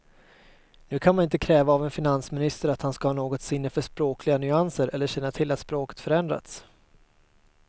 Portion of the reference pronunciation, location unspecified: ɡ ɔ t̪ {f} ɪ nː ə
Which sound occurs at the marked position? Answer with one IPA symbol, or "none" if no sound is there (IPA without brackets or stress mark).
s